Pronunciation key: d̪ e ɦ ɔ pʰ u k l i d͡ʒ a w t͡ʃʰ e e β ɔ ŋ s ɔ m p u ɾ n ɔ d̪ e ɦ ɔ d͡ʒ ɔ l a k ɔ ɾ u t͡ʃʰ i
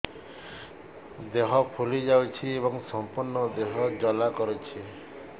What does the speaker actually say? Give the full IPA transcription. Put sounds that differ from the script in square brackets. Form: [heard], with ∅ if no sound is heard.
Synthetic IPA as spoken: d̪ e ɦ ɔ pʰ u [∅] l i d͡ʒ a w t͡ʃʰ [i] e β ɔ ŋ s ɔ m p u ɾ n ɔ d̪ e ɦ ɔ d͡ʒ ɔ l a k ɔ ɾ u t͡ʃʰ i